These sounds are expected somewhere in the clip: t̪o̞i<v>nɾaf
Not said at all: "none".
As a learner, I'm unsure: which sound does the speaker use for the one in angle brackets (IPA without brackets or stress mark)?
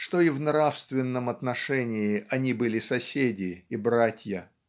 v